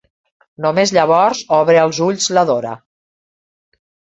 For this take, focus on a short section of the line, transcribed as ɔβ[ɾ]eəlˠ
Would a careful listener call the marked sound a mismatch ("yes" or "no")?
no